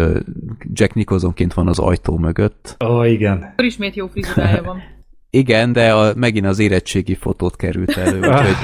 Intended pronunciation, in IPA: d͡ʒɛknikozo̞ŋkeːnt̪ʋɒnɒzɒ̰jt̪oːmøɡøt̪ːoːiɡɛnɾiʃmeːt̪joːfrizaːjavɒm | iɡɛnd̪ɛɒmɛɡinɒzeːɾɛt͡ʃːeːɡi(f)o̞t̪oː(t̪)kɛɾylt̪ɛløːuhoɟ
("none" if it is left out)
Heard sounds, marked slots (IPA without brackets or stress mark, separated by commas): f, t̪